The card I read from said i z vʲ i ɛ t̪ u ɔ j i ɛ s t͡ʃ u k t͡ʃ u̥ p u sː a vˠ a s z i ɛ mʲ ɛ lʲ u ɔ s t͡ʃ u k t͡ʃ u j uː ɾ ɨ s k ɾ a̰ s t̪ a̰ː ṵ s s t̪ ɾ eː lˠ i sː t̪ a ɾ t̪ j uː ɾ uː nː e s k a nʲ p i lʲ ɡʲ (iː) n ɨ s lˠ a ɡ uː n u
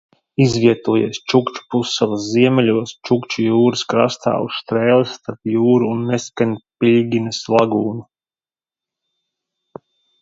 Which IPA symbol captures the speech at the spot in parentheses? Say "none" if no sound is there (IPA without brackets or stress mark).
i